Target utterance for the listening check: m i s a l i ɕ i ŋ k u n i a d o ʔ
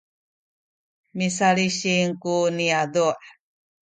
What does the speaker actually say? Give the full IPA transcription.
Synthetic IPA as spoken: m i s a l i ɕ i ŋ k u n i a d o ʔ